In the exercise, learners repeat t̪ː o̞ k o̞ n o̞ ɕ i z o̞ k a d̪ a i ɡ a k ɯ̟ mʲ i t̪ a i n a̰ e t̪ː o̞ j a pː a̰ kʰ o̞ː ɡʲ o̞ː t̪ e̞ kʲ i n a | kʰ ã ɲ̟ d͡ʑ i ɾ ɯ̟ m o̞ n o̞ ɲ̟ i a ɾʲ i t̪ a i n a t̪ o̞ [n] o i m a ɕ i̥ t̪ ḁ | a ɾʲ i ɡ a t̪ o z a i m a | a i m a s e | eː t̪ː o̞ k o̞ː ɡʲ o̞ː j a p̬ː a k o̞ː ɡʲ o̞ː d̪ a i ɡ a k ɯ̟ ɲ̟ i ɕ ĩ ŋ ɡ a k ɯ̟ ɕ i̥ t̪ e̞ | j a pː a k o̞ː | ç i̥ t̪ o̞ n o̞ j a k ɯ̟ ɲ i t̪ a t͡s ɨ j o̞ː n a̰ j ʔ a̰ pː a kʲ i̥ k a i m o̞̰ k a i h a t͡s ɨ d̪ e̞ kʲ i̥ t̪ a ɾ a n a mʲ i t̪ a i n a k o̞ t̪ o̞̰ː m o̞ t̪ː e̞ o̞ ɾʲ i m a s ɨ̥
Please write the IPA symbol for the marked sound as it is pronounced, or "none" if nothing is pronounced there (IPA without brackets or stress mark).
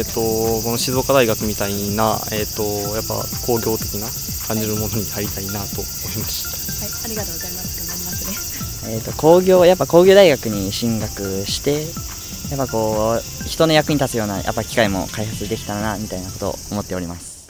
m